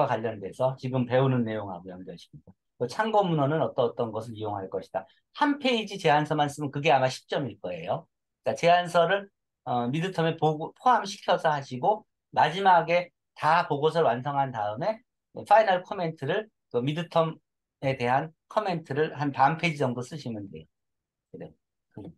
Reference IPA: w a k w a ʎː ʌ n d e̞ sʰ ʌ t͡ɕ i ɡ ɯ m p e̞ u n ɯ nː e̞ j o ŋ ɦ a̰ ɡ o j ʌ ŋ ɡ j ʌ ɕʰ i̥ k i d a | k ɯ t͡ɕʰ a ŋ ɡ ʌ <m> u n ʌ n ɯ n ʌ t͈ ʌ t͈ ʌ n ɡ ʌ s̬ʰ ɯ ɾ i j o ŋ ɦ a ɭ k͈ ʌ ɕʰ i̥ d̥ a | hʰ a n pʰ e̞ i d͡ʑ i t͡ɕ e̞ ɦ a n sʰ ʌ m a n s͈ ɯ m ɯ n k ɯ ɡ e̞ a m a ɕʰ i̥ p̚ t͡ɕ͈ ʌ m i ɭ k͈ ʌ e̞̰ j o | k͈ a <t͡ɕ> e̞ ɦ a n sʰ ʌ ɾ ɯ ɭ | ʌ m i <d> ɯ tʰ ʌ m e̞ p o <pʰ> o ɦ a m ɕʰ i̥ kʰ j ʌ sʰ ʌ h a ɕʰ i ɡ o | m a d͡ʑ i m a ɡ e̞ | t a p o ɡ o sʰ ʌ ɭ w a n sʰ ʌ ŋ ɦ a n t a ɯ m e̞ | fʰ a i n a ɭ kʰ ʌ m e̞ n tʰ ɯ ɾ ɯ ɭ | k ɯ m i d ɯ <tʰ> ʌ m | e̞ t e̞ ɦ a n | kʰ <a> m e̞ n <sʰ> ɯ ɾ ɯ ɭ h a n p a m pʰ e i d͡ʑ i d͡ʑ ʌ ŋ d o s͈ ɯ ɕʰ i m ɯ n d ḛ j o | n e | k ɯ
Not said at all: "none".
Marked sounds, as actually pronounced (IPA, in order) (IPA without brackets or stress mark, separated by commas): m, t͡ɕ, d, pʰ, tʰ, ʌ, tʰ